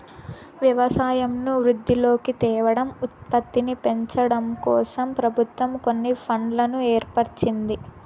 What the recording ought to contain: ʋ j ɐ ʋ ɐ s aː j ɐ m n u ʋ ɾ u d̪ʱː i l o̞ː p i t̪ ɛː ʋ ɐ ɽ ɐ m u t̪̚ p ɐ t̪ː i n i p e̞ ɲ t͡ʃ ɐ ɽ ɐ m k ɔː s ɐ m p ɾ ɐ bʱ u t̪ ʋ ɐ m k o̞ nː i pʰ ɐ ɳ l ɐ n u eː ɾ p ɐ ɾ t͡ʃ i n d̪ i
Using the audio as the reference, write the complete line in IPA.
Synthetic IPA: ʋ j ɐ ʋ ɐ s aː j ɐ m n u ʋ ɾ u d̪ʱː i l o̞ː k i t̪ ɛː ʋ ɐ ɽ ɐ m u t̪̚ p ɐ t̪ː i n i p e̞ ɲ t͡ʃ ɐ ɽ ɐ m k ɔː s ɐ m p ɾ ɐ bʱ u t̪ ʋ ɐ m k o̞ nː i pʰ ɐ ɳ l ɐ n u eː ɾ p ɐ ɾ t͡ʃ i n d̪ i